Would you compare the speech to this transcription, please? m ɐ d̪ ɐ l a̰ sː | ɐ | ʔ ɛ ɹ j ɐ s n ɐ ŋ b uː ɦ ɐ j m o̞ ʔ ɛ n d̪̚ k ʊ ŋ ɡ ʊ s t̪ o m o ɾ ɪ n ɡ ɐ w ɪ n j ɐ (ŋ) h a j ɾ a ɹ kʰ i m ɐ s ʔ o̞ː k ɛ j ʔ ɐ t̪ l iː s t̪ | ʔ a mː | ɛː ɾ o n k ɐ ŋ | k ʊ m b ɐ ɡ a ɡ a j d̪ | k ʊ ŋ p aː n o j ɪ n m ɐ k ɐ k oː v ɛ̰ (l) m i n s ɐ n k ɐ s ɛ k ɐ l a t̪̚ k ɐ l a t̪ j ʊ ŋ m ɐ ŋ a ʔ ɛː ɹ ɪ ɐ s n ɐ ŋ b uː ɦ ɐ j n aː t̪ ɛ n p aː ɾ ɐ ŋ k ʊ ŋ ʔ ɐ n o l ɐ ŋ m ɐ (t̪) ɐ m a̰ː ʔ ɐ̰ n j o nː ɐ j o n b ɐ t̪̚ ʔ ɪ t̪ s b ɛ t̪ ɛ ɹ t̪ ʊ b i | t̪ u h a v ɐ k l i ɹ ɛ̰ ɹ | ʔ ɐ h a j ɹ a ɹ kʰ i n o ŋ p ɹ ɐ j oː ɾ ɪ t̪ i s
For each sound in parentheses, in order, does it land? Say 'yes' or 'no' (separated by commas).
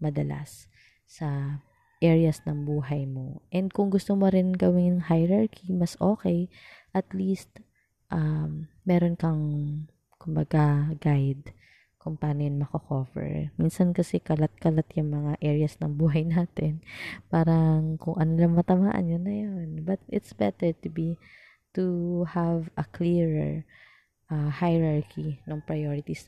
yes, no, yes